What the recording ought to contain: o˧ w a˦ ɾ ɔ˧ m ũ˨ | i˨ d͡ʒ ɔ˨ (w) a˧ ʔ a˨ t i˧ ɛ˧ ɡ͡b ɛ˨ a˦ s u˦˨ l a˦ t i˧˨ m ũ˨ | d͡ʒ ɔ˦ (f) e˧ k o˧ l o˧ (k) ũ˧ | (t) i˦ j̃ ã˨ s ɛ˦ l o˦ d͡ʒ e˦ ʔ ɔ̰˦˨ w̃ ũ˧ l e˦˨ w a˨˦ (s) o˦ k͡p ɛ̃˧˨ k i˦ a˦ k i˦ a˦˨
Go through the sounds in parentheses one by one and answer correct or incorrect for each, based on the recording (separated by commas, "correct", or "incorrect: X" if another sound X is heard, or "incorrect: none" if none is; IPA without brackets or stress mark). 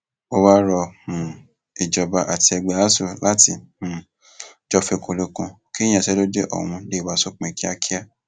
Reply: incorrect: b, correct, correct, incorrect: k, correct